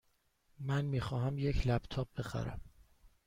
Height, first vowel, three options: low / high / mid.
low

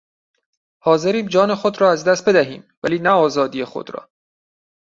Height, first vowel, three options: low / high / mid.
low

